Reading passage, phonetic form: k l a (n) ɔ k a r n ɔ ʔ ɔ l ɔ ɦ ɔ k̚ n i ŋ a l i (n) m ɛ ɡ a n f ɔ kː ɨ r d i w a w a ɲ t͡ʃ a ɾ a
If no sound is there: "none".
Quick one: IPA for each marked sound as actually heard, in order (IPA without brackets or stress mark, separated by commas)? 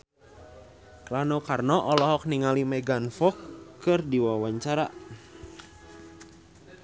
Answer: n, none